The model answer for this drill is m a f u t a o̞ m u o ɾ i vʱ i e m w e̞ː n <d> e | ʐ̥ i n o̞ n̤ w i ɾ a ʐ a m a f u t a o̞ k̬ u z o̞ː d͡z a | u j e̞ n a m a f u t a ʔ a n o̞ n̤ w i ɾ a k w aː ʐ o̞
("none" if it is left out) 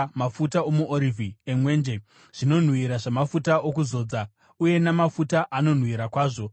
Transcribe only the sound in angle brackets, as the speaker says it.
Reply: d͡ʒ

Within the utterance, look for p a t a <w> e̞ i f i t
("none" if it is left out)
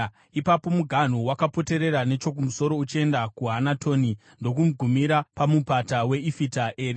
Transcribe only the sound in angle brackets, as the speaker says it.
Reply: w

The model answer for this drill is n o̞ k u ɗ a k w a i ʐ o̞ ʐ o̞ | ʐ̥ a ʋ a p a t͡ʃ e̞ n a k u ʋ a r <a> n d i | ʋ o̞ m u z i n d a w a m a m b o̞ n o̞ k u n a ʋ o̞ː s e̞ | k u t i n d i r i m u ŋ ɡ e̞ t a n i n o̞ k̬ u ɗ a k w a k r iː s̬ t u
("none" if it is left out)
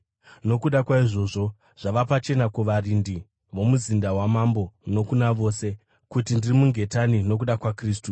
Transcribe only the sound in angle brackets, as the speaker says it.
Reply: i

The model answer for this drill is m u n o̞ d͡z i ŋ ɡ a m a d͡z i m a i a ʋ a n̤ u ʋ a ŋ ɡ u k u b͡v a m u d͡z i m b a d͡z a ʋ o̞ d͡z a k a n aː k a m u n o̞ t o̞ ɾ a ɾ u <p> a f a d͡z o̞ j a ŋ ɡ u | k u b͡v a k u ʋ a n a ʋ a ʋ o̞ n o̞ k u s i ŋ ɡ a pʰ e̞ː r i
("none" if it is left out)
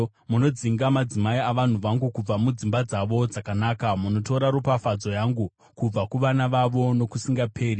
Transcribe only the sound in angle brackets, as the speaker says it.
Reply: p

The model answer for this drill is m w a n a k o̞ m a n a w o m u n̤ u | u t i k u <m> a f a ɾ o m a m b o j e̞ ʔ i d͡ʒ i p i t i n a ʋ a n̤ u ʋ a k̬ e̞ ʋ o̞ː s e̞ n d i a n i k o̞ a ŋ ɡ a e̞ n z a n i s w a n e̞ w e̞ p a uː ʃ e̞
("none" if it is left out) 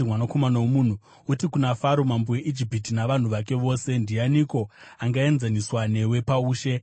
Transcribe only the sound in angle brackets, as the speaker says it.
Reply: n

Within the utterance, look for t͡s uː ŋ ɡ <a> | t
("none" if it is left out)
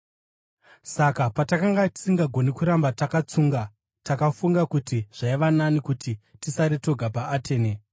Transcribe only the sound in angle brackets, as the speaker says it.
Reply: a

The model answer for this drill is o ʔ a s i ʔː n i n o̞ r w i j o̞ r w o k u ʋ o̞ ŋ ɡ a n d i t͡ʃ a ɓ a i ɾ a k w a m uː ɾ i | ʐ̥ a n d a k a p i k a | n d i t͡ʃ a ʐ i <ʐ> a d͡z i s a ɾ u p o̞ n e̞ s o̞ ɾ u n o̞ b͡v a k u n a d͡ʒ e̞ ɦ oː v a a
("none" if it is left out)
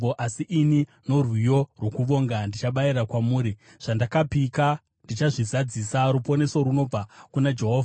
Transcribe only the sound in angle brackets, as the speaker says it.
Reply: z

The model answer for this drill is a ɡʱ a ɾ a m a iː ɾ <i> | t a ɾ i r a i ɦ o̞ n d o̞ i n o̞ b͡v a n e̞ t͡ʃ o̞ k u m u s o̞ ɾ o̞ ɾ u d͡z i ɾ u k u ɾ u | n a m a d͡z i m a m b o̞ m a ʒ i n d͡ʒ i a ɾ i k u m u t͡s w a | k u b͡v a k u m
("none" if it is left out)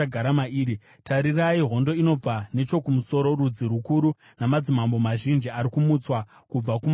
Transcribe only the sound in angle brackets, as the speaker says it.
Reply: i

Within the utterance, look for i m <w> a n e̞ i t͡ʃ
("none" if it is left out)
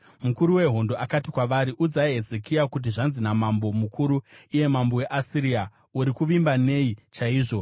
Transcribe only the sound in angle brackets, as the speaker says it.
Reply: b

